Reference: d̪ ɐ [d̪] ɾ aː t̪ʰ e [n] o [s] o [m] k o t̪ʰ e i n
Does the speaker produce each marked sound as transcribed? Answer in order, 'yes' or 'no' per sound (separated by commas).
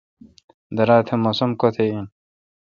no, no, yes, yes